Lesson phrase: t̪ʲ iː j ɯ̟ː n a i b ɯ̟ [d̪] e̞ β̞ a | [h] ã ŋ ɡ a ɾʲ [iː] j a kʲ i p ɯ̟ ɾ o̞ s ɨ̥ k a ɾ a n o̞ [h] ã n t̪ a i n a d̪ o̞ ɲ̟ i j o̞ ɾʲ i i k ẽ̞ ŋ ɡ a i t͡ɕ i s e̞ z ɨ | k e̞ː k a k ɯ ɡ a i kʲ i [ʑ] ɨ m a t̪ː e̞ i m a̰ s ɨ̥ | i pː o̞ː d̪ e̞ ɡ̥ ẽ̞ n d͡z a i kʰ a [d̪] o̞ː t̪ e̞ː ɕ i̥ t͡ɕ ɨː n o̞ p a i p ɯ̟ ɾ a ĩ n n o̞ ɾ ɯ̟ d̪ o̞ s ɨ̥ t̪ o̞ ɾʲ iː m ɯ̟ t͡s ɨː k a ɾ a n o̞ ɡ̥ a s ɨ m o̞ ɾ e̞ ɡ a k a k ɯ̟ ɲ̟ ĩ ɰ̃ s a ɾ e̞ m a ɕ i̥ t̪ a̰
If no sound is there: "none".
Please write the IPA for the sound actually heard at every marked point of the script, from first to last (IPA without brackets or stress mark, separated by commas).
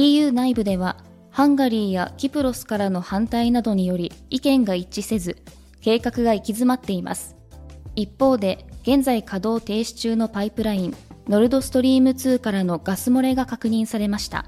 d̪, h, iː, h, z, d̪